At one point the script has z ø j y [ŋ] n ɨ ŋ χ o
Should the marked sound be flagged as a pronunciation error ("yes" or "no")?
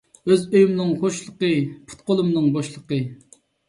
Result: yes